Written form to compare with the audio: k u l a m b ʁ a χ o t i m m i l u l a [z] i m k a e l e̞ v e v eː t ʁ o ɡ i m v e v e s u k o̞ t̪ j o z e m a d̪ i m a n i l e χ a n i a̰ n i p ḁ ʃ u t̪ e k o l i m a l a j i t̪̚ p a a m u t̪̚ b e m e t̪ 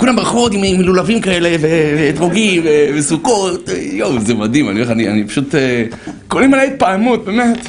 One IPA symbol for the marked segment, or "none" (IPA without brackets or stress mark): v